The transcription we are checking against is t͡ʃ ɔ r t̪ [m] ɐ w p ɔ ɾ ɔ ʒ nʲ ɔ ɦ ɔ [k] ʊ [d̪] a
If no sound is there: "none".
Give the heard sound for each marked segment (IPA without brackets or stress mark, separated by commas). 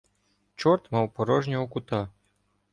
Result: m, k, t̪